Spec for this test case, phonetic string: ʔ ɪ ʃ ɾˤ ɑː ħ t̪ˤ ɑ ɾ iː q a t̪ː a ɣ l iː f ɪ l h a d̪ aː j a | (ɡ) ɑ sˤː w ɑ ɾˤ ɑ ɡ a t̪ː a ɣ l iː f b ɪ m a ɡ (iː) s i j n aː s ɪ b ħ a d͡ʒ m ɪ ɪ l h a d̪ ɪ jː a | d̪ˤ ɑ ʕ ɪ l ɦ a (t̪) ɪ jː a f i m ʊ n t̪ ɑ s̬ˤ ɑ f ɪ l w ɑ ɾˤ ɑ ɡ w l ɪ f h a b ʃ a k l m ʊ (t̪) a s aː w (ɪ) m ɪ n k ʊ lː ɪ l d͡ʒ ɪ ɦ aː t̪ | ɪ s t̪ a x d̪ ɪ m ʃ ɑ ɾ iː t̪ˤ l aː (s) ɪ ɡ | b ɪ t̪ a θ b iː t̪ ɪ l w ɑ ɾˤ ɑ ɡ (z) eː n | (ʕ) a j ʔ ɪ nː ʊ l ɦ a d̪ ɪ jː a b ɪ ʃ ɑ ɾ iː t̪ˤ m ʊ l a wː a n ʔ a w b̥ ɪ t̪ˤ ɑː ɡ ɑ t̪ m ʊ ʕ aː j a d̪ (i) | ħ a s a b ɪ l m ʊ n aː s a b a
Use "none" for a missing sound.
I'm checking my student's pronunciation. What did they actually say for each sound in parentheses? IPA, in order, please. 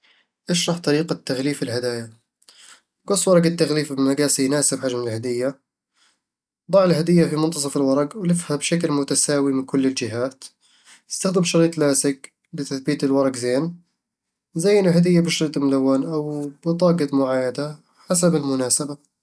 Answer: ɡ, aː, d̪, t̪, i, s, z, z, a

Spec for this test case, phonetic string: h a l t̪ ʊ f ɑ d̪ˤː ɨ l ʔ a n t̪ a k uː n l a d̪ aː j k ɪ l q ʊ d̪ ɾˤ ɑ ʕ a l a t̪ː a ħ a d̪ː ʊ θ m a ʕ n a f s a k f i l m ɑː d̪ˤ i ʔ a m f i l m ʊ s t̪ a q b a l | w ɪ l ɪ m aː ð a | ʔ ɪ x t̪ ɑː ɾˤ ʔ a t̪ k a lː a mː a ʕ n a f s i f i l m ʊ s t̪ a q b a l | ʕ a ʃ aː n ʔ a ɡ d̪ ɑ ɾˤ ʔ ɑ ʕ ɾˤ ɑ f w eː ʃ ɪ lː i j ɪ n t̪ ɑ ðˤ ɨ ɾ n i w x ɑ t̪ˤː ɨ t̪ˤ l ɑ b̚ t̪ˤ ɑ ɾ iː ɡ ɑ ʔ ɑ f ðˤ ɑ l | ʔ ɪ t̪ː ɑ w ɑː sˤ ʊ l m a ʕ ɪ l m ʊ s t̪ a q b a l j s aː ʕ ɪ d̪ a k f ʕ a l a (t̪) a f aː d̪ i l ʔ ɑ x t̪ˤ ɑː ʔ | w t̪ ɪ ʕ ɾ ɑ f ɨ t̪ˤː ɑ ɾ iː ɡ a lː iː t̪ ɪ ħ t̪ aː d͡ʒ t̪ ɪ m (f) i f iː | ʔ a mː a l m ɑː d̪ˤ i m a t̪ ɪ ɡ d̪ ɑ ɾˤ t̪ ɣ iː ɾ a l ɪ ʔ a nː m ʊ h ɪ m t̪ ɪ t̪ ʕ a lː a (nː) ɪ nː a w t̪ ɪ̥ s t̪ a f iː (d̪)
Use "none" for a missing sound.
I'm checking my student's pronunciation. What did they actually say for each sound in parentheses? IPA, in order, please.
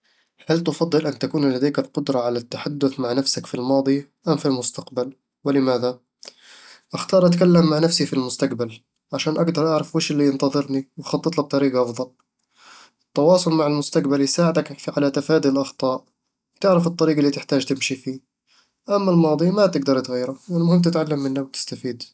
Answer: t̪, ʃ, mː, d̪

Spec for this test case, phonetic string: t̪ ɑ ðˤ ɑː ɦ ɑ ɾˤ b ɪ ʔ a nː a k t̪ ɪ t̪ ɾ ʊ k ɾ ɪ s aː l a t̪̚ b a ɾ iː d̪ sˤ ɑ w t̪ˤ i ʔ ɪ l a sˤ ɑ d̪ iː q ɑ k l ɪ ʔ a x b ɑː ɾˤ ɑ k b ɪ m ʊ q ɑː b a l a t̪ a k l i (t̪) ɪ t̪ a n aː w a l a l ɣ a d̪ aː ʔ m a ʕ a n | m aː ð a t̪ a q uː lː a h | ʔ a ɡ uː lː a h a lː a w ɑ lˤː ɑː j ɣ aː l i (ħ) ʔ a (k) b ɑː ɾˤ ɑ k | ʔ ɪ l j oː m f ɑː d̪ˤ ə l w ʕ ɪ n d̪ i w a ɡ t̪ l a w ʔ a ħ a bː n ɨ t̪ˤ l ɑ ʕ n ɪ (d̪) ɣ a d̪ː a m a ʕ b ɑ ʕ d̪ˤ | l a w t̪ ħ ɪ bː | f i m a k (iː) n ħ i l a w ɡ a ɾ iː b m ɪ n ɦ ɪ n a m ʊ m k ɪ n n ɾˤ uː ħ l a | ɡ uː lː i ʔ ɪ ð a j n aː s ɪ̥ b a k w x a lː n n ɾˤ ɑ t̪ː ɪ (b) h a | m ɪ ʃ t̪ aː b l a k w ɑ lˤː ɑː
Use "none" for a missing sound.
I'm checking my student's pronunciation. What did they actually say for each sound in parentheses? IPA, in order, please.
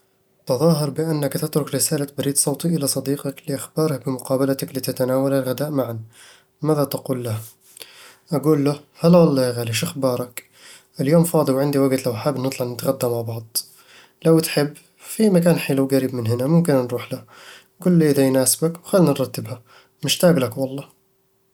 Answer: t̪, ʃ, x, t̪, aː, b

